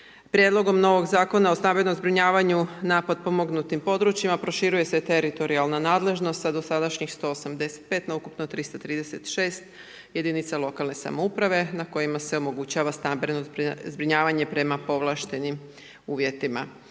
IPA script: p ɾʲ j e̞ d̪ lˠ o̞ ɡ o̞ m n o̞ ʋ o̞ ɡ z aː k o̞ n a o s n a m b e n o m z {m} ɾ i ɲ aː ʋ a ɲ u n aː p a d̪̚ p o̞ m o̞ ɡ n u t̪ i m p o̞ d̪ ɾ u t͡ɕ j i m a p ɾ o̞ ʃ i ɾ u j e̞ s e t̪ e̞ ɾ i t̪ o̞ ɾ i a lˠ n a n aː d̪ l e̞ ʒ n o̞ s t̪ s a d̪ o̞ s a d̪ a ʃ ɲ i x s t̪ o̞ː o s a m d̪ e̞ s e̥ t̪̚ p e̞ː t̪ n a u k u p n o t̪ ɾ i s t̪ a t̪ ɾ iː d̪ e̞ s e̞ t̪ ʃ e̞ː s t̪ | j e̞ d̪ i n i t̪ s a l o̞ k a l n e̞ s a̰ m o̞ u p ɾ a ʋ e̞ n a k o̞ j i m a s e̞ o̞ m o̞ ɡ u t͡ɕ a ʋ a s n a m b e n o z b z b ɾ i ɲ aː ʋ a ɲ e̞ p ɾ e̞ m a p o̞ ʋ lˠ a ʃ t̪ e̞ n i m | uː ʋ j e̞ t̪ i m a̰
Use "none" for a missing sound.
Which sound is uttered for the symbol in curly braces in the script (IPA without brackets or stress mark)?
b